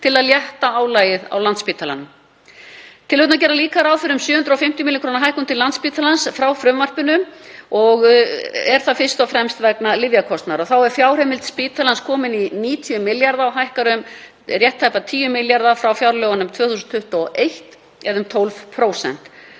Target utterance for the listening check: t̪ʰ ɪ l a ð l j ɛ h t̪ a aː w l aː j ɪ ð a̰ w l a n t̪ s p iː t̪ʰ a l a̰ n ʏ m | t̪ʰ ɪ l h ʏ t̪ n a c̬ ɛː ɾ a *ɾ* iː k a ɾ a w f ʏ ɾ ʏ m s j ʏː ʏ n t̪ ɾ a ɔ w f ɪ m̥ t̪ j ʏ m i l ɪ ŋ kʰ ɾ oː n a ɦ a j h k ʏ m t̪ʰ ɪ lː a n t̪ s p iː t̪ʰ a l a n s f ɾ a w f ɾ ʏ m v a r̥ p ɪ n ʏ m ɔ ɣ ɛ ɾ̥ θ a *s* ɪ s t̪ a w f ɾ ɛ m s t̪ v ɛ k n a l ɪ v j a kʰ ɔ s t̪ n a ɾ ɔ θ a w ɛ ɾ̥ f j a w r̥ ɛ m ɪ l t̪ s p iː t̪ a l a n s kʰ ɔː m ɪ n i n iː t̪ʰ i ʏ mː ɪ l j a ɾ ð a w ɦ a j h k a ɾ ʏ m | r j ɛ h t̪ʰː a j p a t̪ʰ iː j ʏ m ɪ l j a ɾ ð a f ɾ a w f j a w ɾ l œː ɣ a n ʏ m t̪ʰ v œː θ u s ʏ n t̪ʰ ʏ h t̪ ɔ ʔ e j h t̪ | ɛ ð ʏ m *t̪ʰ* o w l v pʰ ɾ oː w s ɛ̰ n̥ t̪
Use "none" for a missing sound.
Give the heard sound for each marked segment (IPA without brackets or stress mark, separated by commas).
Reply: l, f, t̪ʰ